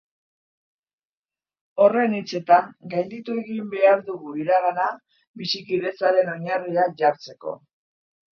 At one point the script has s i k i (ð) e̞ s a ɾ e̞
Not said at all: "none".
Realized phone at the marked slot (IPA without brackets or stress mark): ð